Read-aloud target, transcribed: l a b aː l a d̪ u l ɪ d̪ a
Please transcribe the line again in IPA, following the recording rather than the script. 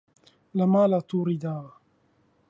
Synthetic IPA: l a m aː l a t̪ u ɾ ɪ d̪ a